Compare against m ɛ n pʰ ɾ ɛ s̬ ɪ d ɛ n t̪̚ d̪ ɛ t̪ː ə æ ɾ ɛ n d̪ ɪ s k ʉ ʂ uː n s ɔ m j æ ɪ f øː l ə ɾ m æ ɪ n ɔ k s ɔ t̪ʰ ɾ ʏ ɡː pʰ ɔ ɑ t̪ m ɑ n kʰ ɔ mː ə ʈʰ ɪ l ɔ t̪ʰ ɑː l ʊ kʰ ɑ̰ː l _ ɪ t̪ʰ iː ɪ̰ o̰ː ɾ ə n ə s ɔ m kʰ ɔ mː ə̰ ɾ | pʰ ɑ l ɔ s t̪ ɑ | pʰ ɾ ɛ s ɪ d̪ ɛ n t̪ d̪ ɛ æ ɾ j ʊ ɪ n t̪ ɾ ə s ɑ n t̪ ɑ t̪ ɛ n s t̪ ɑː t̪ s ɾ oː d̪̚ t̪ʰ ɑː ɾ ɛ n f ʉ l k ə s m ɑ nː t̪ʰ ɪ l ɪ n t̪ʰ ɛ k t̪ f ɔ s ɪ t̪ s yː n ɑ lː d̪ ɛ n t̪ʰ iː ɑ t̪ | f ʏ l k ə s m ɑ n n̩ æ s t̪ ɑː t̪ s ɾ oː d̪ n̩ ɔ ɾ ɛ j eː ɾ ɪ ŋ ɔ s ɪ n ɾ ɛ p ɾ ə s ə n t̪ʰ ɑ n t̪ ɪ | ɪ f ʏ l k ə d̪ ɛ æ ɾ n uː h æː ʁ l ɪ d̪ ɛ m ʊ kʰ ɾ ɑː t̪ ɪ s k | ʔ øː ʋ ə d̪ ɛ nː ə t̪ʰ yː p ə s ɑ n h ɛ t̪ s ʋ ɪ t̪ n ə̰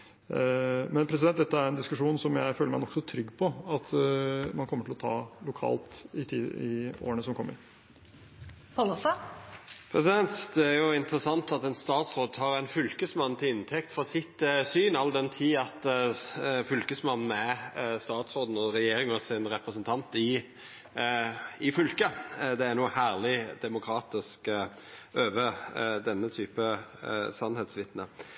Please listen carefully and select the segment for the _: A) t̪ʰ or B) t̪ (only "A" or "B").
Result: B